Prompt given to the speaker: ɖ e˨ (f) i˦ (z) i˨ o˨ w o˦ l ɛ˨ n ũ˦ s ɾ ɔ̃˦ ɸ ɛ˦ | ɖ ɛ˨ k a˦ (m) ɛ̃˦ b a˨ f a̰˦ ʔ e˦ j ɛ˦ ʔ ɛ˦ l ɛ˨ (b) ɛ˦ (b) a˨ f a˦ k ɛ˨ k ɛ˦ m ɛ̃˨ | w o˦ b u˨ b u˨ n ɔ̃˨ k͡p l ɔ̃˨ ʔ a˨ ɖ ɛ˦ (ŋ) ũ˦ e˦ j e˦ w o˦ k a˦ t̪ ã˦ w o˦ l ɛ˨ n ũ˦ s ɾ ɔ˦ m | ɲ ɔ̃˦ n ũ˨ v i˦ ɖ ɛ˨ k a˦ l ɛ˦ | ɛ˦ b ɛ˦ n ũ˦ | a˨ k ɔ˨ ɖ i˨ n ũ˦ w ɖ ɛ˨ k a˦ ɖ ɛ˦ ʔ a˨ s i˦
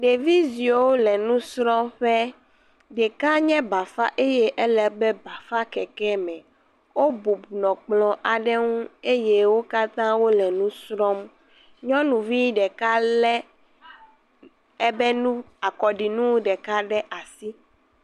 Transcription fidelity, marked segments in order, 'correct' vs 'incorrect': incorrect: v, correct, incorrect: ɲ, correct, correct, correct

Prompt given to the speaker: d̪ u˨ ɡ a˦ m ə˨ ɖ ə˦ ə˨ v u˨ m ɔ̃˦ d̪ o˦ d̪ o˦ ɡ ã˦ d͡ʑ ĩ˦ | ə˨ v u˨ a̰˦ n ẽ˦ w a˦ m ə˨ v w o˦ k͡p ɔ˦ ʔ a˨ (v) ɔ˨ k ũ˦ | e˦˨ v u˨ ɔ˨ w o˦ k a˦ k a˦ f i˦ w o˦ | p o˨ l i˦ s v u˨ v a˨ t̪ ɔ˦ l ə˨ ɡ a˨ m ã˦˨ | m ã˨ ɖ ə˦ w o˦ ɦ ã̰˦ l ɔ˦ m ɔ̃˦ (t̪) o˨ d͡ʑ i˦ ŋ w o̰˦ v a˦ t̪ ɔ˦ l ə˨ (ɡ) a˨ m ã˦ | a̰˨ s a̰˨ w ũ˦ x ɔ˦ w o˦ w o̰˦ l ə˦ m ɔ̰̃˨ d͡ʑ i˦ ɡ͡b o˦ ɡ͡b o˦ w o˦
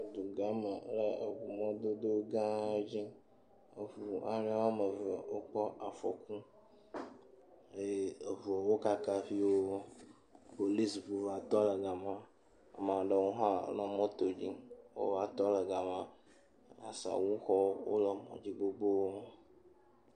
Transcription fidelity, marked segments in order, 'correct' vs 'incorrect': incorrect: f, correct, correct

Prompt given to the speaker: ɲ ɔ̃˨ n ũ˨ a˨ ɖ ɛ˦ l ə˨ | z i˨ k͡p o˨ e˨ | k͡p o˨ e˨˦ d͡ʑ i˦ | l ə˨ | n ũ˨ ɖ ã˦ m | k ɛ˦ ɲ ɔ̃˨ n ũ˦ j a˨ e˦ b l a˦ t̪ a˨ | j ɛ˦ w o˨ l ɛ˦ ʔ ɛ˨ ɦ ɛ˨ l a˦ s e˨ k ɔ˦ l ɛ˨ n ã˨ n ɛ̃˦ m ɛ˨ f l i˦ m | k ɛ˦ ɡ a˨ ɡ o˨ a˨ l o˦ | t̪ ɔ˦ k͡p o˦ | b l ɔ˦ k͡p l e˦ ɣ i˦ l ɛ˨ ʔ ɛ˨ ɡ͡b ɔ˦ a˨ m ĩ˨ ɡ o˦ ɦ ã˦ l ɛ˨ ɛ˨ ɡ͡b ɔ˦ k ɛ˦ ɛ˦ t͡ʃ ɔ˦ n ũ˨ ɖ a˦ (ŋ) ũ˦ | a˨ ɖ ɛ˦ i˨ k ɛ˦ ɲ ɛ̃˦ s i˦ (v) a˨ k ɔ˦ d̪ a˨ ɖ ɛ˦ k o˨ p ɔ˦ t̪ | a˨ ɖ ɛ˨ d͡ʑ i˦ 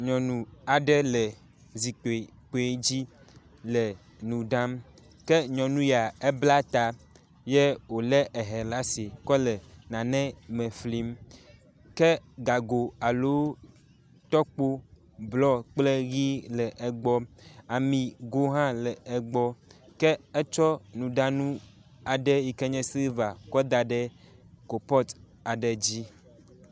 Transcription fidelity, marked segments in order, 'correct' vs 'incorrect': incorrect: n, correct

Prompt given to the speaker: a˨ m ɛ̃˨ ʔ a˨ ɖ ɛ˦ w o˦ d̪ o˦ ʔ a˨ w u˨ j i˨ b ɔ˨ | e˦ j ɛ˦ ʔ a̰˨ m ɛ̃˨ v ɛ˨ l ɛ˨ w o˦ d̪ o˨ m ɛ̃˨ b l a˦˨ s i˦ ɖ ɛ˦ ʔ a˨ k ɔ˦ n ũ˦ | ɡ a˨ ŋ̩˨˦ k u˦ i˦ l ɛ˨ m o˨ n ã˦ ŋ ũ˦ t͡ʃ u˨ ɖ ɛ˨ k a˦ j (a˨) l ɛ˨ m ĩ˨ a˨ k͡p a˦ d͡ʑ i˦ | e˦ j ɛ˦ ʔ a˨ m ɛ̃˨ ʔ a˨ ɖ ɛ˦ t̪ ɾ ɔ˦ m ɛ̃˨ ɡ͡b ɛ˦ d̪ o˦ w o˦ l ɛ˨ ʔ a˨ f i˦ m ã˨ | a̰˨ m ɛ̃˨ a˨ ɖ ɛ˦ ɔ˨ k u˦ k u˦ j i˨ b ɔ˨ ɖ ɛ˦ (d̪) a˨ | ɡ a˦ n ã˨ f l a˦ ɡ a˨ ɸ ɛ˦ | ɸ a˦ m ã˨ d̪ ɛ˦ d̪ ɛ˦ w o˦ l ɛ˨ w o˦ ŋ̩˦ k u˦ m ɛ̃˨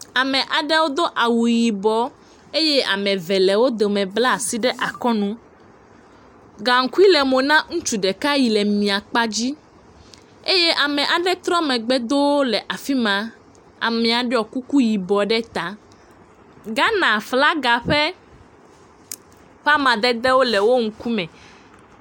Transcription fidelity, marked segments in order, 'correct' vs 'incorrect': incorrect: i˨, incorrect: t̪

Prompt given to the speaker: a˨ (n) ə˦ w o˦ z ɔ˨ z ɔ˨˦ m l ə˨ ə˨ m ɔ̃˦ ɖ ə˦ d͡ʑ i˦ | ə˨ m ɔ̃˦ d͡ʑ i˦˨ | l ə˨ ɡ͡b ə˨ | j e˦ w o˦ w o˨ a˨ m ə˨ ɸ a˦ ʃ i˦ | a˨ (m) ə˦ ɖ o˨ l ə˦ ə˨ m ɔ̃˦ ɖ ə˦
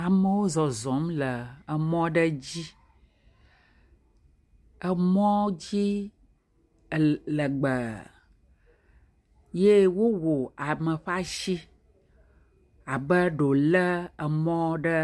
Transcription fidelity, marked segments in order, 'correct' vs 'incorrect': incorrect: m, incorrect: b

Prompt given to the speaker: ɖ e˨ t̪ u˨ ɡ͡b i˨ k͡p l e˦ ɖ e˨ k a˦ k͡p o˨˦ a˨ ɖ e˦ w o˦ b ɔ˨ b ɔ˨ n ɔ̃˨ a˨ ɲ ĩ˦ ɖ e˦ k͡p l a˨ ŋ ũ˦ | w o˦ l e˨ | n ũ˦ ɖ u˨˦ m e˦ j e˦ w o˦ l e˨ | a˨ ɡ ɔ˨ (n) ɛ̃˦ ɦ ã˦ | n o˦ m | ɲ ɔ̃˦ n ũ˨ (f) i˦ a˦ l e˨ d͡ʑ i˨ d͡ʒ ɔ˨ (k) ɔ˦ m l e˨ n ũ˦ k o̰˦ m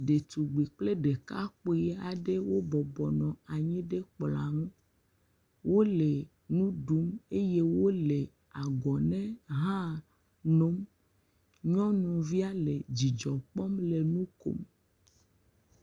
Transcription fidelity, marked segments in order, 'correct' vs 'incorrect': correct, incorrect: v, incorrect: k͡p

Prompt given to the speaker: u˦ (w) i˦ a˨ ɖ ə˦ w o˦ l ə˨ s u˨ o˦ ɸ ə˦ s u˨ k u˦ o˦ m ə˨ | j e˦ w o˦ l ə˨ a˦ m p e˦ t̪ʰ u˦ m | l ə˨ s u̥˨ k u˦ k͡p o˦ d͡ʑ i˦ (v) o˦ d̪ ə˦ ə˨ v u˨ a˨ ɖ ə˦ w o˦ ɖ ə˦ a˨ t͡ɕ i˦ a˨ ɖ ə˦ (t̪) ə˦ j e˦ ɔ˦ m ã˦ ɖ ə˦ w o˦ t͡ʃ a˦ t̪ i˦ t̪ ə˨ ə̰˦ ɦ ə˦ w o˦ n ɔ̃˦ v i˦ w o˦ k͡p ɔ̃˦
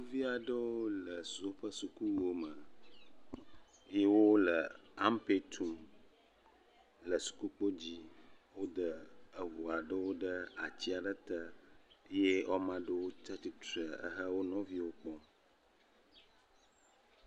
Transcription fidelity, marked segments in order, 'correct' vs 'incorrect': incorrect: v, incorrect: w, correct

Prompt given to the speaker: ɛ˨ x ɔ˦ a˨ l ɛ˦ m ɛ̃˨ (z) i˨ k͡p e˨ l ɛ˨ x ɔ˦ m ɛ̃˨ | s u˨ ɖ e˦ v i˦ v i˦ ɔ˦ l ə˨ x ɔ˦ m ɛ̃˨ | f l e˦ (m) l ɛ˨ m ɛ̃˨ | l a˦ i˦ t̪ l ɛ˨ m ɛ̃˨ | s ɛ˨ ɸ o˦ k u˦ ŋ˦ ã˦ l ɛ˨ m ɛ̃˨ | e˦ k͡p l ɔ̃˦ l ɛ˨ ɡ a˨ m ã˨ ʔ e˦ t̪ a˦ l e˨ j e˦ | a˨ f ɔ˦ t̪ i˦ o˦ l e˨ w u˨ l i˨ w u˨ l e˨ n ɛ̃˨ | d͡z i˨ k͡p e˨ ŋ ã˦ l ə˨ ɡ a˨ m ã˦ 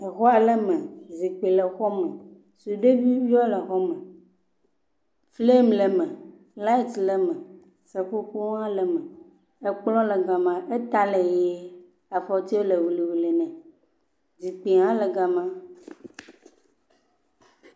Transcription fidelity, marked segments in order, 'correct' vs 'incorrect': correct, correct

